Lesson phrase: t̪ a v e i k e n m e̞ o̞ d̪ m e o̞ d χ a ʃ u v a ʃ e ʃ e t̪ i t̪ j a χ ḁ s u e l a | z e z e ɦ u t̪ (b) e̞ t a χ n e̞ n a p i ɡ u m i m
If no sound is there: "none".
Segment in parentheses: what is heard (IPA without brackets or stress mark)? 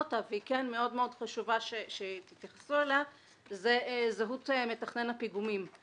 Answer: m